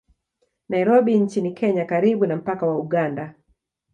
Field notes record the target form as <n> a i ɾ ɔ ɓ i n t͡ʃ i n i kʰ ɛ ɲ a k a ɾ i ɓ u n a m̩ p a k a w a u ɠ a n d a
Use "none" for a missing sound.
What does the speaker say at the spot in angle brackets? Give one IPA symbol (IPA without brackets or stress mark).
n